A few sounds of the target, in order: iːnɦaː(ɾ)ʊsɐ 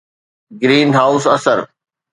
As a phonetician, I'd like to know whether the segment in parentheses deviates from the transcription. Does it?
yes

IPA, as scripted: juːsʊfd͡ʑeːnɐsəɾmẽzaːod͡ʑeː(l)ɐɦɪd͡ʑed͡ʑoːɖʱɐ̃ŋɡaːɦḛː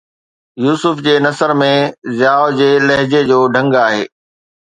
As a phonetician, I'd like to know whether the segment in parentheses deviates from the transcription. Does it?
no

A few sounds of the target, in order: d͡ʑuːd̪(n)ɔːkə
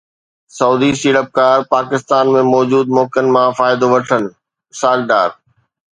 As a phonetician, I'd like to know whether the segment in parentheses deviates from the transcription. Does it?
yes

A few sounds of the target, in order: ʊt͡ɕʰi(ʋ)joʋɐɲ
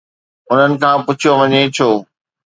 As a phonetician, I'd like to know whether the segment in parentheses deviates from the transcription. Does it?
yes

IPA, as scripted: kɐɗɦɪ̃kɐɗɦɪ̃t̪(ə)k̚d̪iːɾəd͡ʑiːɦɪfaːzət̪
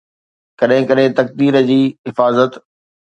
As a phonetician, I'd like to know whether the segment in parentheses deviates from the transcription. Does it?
yes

